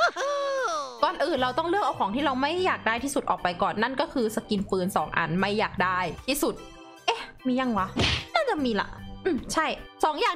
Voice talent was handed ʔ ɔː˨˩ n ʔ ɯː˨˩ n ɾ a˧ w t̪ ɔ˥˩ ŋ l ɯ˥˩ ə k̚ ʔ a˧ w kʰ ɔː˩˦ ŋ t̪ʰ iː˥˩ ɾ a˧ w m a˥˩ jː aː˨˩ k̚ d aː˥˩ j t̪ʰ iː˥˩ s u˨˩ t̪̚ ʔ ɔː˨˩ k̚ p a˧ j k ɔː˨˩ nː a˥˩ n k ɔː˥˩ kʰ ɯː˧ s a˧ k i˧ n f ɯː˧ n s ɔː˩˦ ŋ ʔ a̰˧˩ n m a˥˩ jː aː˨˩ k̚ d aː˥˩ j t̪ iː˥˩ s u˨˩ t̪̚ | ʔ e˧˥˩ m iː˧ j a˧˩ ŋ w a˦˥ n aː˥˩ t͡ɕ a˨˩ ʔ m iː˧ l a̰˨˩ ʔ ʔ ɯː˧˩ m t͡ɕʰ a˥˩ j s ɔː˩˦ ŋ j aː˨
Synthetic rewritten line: k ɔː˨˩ n ʔ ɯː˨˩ n ɾ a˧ w t̪ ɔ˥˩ ŋ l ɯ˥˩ ə k̚ ʔ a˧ w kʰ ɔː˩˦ ŋ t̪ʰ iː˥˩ ɾ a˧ w m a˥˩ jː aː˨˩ k̚ d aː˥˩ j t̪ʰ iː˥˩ s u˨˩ t̪̚ ʔ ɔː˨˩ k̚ p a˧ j k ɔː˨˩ nː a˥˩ n k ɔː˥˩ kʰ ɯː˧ s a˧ k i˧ n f ɯː˧ n s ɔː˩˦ ŋ ʔ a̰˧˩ n m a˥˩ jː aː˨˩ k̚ d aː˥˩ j t̪ʰ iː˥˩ s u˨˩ t̪̚ | ʔ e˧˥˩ m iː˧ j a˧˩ ŋ w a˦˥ n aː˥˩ t͡ɕ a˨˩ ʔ m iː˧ l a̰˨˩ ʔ ʔ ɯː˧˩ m t͡ɕʰ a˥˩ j s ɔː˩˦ ŋ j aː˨

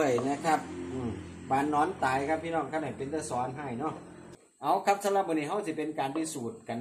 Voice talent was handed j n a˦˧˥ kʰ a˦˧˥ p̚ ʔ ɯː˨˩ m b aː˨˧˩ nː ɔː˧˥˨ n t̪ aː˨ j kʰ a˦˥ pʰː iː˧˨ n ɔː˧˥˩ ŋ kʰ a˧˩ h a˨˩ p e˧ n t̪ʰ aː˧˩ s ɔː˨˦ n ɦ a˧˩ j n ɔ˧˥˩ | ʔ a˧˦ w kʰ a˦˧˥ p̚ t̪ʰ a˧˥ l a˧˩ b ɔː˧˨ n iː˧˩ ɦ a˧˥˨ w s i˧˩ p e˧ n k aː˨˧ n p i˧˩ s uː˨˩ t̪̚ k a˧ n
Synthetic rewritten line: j n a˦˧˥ kʰ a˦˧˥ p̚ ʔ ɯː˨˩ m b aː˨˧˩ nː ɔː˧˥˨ n t̪ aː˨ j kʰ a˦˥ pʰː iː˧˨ n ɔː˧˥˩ ŋ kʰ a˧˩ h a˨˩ p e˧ n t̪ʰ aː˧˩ s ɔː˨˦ n ɦ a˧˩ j n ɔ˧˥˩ | ʔ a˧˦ w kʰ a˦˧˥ p̚ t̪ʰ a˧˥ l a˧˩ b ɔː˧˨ n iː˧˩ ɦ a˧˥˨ w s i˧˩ p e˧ n k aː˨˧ n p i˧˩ s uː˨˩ t̪̚ k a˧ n

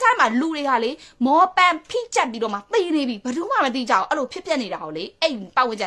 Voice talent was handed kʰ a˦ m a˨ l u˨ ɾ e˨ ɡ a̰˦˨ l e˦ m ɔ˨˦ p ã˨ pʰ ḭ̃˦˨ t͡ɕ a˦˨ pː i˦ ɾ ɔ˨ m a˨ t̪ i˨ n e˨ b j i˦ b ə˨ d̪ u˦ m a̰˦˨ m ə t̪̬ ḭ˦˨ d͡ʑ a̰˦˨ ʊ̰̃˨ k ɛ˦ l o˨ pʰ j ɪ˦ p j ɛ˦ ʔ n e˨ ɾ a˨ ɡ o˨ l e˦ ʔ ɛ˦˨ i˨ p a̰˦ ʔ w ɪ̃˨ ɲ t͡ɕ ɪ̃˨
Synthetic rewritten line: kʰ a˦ m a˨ l u˨ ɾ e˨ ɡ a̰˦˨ l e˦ m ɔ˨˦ p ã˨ pʰ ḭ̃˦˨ t͡ɕ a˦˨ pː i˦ ɾ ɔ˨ m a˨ t̪ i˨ n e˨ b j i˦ b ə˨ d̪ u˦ m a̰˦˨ m ə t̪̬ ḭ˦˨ d͡ʑ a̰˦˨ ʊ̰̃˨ ʔ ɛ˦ l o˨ pʰ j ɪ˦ p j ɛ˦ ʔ n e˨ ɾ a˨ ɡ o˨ l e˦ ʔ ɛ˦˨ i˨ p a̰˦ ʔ w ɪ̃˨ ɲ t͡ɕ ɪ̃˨

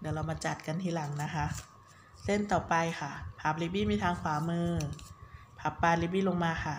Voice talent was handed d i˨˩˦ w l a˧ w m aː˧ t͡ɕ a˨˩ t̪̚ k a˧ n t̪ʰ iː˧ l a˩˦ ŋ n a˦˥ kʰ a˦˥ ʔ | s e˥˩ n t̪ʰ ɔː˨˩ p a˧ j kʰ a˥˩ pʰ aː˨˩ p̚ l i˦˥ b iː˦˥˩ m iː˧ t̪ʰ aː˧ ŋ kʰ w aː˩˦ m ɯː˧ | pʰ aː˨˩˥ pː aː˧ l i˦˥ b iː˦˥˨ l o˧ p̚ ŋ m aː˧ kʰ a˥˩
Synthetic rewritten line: d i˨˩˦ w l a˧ w m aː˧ t͡ɕ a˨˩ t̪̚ k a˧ n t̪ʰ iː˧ l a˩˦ ŋ n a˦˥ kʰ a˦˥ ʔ | s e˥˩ n t̪ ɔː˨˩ p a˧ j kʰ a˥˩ pʰ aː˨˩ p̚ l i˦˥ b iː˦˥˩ m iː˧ t̪ʰ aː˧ ŋ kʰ w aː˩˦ m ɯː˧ | pʰ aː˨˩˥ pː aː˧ l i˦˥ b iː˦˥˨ l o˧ ŋ m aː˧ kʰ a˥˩

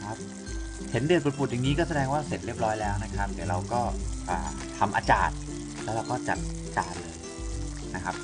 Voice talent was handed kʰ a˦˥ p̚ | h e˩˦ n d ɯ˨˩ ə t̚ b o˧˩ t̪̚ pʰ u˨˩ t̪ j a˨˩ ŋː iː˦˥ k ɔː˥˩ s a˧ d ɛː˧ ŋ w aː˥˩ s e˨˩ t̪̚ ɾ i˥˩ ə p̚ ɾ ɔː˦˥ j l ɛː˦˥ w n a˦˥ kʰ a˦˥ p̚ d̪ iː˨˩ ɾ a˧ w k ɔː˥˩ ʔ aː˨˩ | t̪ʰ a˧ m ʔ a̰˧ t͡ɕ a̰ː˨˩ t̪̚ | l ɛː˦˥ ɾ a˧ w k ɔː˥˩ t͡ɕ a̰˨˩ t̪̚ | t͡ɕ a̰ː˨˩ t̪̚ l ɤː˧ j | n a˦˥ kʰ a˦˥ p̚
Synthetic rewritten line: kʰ a˦˥ p̚ | h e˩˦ n d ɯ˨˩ ə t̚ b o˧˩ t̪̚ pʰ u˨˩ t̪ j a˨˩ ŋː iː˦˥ k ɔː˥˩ s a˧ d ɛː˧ ŋ w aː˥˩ s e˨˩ t̪̚ ɾ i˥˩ ə p̚ ɾ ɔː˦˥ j l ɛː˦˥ w n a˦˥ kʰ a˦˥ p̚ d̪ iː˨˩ ɾ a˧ w k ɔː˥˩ ʔ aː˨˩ | t̪ʰ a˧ m ʔ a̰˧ t͡ɕ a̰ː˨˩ t̪̚ | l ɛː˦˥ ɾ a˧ w k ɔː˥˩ t͡ɕ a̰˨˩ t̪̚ | t͡ɕ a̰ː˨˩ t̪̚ l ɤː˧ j | n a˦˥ kʰ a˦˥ p̚

